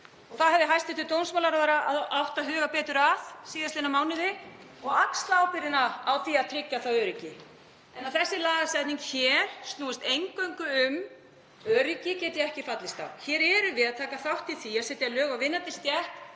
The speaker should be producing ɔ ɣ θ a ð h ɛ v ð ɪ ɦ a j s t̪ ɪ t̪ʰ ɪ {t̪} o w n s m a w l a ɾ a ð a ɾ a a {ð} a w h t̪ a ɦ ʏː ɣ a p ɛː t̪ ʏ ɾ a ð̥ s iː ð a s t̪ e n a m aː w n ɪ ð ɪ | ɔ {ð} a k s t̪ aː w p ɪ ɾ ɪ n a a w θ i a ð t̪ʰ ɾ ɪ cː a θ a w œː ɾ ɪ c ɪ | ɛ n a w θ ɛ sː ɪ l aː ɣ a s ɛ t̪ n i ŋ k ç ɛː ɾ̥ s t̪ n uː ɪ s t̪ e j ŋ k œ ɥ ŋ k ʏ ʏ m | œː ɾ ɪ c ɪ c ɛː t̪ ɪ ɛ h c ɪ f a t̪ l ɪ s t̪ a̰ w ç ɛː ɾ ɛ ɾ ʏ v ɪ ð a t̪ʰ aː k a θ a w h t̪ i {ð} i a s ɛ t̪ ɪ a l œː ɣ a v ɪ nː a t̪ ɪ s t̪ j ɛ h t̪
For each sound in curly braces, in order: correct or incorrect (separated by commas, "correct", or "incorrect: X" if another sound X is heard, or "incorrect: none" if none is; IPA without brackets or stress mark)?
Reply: correct, correct, incorrect: ɣ, incorrect: θ